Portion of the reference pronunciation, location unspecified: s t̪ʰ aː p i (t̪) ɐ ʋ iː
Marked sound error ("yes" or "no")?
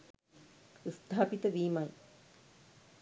no